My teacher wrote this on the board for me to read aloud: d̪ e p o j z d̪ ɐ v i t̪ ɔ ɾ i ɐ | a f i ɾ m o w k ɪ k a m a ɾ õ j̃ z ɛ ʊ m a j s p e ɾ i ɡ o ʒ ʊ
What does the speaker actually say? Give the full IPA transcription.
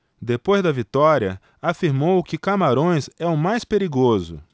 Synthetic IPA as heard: d̪ e p o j z d̪ ɐ v i t̪ ɔ ɾ i ɐ | a f i ɾ m o w k ɪ k a m a ɾ õ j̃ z ɛ ʊ m a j s p e ɾ i ɡ o z ʊ